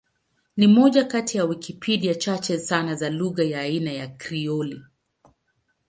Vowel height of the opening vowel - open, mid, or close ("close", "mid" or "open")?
close